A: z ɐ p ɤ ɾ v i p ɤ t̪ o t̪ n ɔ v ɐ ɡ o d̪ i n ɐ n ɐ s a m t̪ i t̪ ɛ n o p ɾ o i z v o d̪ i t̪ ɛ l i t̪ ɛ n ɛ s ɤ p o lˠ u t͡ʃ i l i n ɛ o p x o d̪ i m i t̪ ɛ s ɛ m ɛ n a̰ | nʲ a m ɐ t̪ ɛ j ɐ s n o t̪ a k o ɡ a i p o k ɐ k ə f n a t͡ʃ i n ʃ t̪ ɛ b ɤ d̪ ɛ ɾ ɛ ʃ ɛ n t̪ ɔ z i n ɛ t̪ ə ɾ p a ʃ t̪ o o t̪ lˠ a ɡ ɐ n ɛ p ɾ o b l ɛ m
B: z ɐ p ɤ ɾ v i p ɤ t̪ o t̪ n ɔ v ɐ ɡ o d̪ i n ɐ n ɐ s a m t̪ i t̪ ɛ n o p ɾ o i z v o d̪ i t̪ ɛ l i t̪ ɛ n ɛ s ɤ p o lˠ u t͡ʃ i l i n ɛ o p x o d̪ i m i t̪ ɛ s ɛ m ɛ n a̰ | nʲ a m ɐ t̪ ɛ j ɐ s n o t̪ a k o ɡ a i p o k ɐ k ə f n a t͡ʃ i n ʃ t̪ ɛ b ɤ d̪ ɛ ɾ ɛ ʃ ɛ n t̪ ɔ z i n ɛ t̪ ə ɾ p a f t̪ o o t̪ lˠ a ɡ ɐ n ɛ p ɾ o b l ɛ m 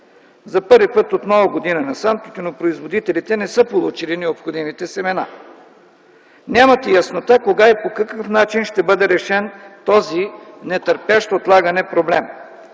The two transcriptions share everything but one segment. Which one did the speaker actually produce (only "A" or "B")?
A